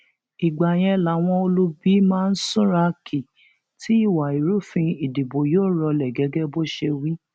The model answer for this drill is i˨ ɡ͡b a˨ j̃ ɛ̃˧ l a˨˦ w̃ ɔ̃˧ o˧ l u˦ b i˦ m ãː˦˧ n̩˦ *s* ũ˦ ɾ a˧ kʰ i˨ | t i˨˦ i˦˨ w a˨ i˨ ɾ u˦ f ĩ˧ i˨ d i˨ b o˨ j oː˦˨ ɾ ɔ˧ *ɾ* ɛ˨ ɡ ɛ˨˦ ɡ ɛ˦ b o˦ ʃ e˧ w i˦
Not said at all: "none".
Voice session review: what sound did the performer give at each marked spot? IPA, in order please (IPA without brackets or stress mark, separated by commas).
s, l